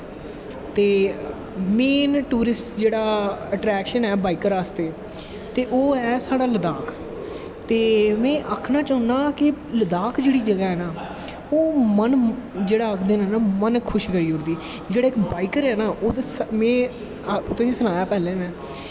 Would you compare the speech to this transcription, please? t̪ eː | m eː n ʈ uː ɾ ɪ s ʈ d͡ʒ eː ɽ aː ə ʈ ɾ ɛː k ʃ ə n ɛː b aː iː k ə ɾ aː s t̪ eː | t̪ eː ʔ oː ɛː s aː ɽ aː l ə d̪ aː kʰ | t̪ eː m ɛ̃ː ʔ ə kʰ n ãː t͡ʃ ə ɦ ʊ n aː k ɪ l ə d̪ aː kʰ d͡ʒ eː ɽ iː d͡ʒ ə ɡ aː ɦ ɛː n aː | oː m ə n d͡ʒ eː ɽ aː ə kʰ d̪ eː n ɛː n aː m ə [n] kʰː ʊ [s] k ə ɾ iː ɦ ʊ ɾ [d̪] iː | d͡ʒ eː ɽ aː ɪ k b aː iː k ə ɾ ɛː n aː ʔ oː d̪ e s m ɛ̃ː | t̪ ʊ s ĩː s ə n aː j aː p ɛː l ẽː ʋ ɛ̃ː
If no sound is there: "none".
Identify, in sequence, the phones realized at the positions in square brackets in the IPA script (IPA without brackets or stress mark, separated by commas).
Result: n, ʃ, d̪